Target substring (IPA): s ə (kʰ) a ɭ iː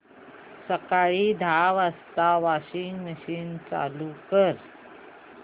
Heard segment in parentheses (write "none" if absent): k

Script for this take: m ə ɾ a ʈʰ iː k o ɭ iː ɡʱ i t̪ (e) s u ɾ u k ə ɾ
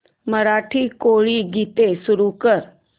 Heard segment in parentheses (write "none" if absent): e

